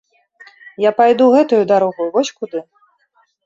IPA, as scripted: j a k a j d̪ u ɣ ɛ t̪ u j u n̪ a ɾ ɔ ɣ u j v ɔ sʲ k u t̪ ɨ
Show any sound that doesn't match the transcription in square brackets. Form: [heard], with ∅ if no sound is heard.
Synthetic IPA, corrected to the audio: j a [p] a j d̪ u ɣ ɛ t̪ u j u [d̪] a ɾ ɔ ɣ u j v ɔ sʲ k u [d̪] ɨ